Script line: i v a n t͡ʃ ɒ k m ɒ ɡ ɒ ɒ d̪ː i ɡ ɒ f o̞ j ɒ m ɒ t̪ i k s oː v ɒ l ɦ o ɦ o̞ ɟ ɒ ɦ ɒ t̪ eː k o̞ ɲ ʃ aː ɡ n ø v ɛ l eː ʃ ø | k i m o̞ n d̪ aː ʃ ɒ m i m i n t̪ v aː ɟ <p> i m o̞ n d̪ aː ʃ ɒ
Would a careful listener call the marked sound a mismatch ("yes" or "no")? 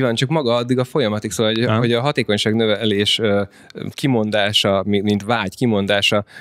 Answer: yes